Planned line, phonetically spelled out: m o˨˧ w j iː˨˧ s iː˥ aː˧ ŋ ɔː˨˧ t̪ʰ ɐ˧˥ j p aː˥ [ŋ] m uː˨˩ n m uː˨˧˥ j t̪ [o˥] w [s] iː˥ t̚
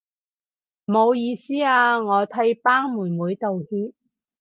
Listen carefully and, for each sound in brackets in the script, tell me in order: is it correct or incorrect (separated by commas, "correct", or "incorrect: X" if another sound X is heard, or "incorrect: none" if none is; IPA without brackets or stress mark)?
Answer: correct, incorrect: o˨, incorrect: h